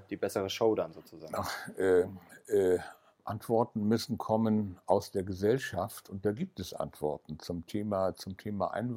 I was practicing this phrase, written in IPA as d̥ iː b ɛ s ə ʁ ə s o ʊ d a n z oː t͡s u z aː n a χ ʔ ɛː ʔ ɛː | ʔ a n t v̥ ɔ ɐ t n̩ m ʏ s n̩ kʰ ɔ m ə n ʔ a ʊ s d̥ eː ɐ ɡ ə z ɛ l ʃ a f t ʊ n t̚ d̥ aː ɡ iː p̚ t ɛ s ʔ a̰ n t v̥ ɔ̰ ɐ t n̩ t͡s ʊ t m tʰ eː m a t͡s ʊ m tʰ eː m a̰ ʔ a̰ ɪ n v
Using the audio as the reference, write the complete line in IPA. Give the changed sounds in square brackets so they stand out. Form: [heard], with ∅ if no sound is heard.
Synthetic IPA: d̥ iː b ɛ s ə ʁ ə [ʃ] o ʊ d a n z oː t͡s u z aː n a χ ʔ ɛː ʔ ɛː | ʔ a n t v̥ ɔ ɐ t n̩ m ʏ s n̩ kʰ ɔ m ə n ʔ a ʊ s d̥ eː ɐ ɡ ə z ɛ l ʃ a f t ʊ n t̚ d̥ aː ɡ iː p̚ t ɛ s ʔ a̰ n t v̥ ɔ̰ ɐ t n̩ t͡s ʊ [∅] m tʰ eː m a t͡s ʊ m tʰ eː m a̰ ʔ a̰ ɪ n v